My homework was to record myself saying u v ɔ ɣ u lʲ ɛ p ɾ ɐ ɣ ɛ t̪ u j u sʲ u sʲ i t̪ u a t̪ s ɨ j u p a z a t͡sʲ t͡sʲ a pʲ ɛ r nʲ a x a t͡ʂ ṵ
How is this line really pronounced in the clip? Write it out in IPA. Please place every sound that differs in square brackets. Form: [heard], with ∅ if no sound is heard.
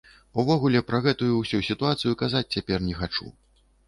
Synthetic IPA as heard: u v ɔ ɣ u lʲ ɛ p ɾ ɐ ɣ ɛ t̪ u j u sʲ u sʲ i t̪ u a t̪ s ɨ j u [k] a z a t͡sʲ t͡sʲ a pʲ ɛ r nʲ [ɛ] x a t͡ʂ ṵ